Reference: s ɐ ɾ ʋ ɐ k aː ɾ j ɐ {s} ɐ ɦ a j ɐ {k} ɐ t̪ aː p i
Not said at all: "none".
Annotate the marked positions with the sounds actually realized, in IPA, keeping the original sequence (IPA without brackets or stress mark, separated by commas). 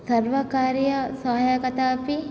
s, k